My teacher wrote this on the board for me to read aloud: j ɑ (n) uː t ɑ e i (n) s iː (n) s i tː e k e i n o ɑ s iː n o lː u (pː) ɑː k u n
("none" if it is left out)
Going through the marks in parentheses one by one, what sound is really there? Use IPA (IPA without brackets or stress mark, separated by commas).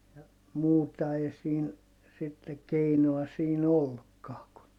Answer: m, none, n, kː